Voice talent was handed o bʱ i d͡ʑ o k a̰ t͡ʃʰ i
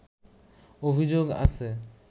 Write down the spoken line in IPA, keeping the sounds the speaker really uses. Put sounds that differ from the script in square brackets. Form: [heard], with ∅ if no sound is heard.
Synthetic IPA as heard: o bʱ i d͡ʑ o [ɡ] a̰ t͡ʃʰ [e]